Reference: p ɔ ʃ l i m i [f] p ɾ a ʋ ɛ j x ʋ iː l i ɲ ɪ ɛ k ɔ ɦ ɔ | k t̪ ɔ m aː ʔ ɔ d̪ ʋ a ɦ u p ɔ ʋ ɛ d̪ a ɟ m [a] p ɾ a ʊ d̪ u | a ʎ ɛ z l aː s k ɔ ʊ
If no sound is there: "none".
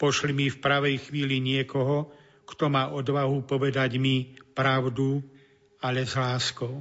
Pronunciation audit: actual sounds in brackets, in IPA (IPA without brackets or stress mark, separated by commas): f, i